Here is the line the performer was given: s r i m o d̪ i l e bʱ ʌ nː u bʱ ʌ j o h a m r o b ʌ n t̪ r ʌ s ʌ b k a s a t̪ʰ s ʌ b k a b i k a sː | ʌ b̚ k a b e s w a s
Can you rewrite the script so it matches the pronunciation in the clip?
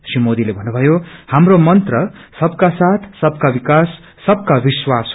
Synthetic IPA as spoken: s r i m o d̪ i l e bʱ ʌ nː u bʱ ʌ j o h a m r o m ʌ n t̪ r ʌ s ʌ b k a s a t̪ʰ s ʌ b k a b i k a sː | ʌ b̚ k a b i s w a s

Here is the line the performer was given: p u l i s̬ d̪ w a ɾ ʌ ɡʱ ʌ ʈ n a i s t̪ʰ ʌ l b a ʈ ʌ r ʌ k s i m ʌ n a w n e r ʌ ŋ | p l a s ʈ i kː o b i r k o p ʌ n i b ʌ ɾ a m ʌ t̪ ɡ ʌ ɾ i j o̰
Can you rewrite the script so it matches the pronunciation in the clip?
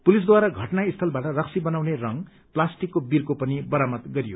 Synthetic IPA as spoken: p u l i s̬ d̪ w a ɾ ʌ ɡʱ ʌ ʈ n a i s t̪ʰ ʌ l b a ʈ ʌ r ʌ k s i b ʌ n a w n e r ʌ ŋ | p l a s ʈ i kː o b i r k o p ʌ n i b ʌ ɾ a m ʌ t̪ ɡ ʌ ɾ i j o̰

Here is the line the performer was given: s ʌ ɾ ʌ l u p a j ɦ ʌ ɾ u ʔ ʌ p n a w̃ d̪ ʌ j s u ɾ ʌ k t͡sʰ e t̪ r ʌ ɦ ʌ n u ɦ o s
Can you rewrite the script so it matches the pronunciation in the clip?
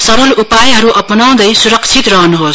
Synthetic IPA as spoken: s ʌ ɾ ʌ l u p a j ɦ ʌ ɾ u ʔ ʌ p n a w̃ d̪ ʌ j s u ɾ ʌ k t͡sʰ i t̪ r ʌ ɦ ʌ n u ɦ o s

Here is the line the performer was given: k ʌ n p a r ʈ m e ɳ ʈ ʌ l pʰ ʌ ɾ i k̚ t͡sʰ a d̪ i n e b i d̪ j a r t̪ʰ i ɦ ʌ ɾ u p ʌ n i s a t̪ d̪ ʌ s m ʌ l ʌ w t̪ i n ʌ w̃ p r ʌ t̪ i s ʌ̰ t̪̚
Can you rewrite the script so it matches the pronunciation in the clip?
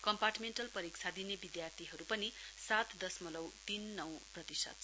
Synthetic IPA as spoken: k ʌ m p a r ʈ m e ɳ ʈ ʌ l p ʌ ɾ i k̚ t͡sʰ a d̪ i n e b i d̪ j a r t̪ʰ i ɦ ʌ ɾ u p ʌ n i s a t̪ d̪ ʌ s m ʌ l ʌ w t̪ i nː ʌ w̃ p r ʌ t̪ i s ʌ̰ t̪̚

